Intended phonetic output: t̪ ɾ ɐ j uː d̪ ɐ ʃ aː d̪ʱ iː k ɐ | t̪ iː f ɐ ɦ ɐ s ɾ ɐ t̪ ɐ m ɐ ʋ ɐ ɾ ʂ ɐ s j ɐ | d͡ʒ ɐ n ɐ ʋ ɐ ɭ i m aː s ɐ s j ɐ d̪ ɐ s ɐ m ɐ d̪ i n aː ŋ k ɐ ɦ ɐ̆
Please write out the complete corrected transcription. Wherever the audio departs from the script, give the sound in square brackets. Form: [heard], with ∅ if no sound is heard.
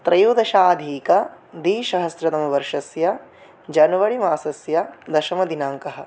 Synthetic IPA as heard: t̪ ɾ ɐ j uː d̪ ɐ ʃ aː d̪ʱ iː k ɐ | [d̪] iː [ʃ] ɐ ɦ ɐ s ɾ ɐ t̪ ɐ m ɐ ʋ ɐ ɾ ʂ ɐ s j ɐ | d͡ʒ ɐ n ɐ ʋ ɐ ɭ i m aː s ɐ s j ɐ d̪ ɐ [ʃ] ɐ m ɐ d̪ i n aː ŋ k ɐ ɦ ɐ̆